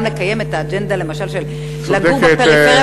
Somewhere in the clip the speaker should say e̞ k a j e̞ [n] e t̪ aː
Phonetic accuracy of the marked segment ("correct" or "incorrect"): incorrect